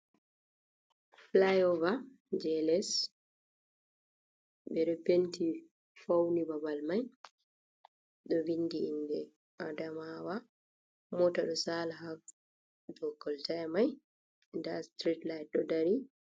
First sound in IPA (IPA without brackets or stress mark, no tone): f